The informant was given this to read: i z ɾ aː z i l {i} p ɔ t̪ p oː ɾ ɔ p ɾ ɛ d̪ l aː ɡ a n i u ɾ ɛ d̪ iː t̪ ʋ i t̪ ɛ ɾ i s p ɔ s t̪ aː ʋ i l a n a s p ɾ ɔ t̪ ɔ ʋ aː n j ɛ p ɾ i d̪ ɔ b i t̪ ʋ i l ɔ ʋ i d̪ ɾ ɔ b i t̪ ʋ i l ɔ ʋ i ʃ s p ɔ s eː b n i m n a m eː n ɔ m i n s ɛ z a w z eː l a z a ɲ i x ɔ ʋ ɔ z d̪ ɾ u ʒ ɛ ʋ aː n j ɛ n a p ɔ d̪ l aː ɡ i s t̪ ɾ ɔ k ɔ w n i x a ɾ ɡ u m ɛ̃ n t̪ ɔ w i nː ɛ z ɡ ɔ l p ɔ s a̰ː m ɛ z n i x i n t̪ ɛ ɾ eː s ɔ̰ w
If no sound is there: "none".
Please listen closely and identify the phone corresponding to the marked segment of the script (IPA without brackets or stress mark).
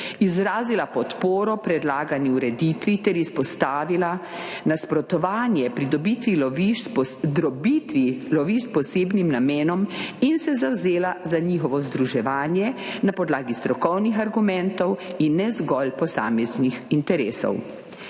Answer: a